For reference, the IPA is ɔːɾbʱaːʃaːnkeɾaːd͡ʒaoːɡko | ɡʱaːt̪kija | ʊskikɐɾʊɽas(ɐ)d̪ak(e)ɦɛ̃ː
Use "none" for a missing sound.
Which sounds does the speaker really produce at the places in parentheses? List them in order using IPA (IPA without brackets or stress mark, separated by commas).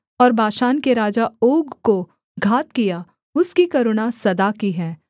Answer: ɐ, i